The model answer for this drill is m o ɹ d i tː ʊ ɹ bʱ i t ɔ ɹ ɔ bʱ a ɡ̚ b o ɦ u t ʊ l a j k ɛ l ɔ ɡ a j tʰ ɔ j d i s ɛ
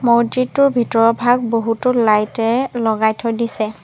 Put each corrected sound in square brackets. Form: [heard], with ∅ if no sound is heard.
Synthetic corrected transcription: m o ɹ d i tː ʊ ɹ bʱ i t ɔ ɹ ɔ bʱ a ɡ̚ b o ɦ u t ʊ l a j [t] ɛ l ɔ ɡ a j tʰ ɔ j d i s ɛ